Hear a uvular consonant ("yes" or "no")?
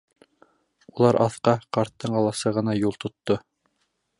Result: yes